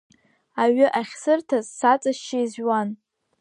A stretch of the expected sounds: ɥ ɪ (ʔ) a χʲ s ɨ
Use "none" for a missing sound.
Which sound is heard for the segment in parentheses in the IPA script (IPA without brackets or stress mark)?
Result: ʔ